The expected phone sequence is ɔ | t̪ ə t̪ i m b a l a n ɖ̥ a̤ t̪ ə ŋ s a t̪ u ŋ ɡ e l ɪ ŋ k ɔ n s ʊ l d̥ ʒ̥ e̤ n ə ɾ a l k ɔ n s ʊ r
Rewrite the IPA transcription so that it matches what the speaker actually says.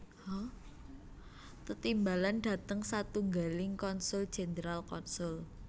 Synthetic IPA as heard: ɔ | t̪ ə t̪ i m b a l a n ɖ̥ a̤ t̪ ə ŋ s a t̪ u ŋ ɡ a l ɪ ŋ k ɔ n s ʊ l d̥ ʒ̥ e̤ n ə ɾ a l k ɔ n s ʊ l